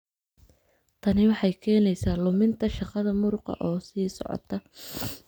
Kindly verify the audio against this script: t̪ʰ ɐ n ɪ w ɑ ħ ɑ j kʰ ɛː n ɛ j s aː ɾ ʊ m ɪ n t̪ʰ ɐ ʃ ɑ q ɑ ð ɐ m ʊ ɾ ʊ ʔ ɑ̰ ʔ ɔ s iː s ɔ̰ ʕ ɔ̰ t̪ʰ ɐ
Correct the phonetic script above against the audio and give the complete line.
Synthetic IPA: t̪ʰ ɐ n ɪ w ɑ ħ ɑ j kʰ ɛː n ɛ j s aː l ʊ m ɪ n t̪ʰ ɐ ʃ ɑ q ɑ ð ɐ m ʊ ɾ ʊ q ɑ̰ ʔ ɔː s iː s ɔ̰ ʕ ɔ̰ t̪ʰ ɐ